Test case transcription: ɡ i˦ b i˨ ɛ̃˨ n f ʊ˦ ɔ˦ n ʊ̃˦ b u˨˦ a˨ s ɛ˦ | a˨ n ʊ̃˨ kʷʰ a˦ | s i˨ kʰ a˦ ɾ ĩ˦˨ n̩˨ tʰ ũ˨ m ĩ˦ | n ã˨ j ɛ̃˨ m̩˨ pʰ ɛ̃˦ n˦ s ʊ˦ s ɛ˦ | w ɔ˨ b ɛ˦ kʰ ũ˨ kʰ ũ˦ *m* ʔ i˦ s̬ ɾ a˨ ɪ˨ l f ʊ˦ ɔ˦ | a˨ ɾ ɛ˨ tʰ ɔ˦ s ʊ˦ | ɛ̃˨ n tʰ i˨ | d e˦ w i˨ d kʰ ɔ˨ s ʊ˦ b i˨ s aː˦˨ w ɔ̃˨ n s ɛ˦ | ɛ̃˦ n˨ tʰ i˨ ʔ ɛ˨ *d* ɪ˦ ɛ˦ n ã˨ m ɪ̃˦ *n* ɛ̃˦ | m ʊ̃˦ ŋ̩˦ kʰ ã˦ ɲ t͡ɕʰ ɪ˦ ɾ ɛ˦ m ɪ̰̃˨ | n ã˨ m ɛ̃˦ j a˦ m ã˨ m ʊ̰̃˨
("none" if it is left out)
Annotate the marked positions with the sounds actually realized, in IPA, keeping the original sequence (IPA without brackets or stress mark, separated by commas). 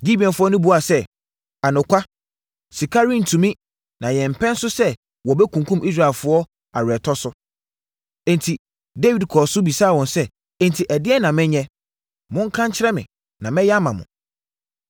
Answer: m, d, ɲ